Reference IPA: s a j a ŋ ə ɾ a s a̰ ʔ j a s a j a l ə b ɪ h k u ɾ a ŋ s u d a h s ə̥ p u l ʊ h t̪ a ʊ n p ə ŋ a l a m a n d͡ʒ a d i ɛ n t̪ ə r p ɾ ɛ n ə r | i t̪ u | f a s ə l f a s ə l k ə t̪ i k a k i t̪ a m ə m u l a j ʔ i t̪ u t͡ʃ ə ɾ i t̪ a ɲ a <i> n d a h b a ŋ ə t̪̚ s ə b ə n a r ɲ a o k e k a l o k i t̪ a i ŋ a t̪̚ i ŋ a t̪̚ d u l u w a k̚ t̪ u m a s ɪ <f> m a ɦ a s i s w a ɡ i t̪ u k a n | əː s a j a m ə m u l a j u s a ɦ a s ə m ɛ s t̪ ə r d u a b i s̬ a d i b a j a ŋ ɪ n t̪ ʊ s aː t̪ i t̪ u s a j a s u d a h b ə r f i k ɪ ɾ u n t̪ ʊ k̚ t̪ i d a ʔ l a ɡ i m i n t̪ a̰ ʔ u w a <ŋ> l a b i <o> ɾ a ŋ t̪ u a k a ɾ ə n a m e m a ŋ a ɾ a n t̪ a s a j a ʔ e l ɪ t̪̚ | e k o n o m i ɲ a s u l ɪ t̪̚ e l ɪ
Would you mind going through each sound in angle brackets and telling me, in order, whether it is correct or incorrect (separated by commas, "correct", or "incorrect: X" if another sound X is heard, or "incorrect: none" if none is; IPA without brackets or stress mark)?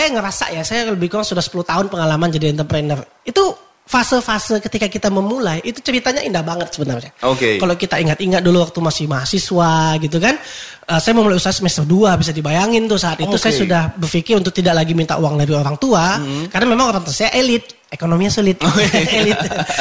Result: correct, incorrect: h, correct, correct